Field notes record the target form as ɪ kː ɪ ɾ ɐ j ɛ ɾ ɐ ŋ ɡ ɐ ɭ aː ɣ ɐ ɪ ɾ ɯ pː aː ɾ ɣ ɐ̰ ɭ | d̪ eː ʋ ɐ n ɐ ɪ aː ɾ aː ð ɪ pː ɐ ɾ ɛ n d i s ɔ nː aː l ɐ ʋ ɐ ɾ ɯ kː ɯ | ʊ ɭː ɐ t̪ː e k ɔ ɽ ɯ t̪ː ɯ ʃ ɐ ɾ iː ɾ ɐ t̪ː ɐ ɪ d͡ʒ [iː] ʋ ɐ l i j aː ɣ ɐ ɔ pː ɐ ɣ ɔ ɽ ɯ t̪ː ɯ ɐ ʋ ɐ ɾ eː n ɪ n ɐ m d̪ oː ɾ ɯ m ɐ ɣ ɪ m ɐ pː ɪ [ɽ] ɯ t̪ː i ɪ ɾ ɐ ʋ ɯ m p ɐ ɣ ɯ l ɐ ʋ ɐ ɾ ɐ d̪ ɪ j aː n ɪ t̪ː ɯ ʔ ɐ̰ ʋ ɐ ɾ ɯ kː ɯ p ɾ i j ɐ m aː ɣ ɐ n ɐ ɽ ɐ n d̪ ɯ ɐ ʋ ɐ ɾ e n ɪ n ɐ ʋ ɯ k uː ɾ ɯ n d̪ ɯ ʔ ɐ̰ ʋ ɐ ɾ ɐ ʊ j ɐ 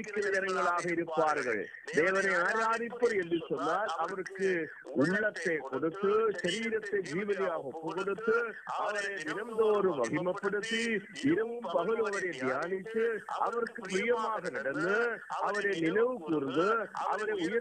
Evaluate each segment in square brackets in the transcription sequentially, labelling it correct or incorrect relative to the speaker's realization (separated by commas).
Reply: correct, correct